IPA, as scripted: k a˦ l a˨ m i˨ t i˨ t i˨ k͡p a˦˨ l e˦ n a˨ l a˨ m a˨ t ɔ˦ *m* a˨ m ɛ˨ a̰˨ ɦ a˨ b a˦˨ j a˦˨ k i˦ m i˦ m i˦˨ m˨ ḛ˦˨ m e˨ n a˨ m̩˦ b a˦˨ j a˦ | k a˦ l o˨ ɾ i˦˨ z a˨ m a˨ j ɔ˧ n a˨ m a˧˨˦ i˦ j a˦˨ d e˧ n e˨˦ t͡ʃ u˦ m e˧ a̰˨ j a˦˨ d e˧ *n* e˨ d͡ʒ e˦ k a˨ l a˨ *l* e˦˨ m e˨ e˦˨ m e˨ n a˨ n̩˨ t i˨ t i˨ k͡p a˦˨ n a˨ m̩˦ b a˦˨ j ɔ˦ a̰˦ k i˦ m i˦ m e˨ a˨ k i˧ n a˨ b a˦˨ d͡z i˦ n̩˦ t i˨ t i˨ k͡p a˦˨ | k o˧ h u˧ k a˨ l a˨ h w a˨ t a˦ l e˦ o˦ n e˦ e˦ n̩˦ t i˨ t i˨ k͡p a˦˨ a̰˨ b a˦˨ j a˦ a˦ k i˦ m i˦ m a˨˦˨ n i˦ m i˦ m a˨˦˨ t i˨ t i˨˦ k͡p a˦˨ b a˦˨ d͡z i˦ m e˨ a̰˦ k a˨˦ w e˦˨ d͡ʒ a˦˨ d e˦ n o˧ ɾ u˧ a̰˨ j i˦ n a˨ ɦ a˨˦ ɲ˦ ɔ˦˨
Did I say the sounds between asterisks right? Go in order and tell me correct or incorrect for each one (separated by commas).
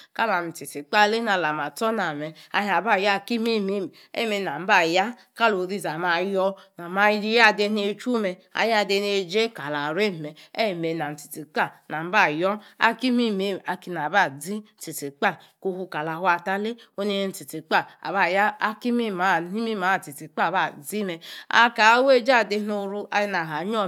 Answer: incorrect, correct, incorrect